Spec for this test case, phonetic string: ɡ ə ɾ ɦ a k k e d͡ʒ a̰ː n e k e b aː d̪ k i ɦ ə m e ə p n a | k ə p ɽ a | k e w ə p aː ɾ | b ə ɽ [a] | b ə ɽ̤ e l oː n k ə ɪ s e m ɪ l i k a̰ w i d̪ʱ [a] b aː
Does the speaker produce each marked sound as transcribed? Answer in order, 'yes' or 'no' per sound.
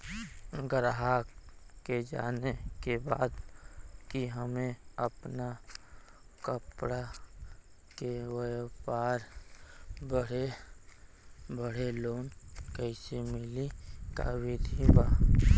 no, no

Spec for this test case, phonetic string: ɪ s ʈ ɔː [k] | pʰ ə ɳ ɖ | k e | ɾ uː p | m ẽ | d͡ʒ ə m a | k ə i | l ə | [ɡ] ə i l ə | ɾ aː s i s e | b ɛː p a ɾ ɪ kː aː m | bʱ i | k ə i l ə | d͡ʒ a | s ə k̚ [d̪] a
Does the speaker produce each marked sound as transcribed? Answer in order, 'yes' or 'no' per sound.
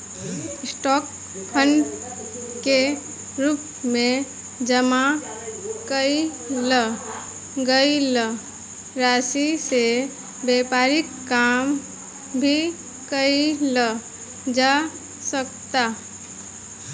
yes, yes, no

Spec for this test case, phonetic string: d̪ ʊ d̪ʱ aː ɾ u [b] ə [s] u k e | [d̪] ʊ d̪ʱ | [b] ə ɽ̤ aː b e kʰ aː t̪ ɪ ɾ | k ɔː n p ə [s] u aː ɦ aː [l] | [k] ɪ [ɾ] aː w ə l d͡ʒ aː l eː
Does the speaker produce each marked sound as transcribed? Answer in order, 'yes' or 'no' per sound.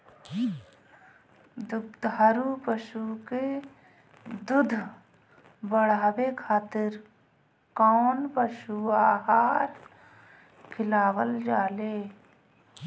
no, no, yes, yes, no, no, no, no

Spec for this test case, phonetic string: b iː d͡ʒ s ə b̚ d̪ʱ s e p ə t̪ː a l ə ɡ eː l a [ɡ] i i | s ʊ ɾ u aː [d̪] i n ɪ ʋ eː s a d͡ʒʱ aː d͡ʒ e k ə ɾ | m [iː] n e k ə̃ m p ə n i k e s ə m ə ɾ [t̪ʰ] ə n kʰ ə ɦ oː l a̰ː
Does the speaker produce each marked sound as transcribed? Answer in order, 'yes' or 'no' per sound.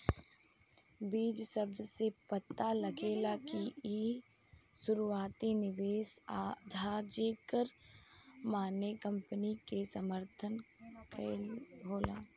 no, no, no, yes

